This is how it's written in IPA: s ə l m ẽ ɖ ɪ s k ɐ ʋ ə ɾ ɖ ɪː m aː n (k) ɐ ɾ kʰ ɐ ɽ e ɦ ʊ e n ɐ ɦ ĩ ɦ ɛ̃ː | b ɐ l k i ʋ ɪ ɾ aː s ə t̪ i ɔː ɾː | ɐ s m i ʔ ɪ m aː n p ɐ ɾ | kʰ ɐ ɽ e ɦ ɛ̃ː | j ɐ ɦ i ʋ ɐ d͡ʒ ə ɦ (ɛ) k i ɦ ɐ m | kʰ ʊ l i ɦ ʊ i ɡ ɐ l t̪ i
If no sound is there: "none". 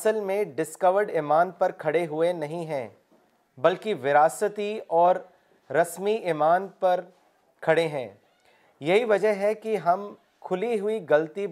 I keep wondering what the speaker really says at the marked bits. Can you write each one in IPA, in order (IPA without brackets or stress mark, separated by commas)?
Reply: p, ɛ